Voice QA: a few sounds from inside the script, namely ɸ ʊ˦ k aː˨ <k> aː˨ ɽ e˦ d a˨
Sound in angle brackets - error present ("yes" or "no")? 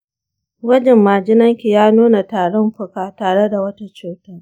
yes